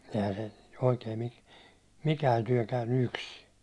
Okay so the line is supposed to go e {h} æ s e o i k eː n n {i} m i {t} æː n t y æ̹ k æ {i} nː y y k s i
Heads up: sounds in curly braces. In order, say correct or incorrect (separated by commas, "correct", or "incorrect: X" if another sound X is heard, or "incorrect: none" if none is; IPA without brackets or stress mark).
correct, correct, incorrect: k, incorrect: y